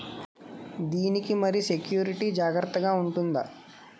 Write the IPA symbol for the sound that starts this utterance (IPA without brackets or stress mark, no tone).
d̪